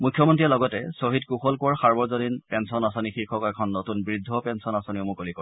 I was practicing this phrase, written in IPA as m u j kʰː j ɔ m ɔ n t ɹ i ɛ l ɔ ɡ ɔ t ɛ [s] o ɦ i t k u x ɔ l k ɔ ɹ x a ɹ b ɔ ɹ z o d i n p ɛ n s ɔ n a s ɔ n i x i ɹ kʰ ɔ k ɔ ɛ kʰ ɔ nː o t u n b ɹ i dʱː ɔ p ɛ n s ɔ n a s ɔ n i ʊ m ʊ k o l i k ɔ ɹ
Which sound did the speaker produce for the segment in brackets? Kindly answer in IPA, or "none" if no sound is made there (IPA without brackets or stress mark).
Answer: s